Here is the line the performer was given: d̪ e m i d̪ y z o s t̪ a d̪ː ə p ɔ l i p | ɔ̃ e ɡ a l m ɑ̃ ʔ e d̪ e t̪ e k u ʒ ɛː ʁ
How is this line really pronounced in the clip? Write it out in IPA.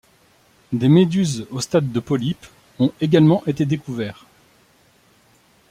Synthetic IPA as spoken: d̪ e m e d̪ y z o s t̪ a d̪ː ə p ɔ l i p | ɔ̃ e ɡ a l m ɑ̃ ʔ e t̪ e d̪ e k u v ɛː ʁ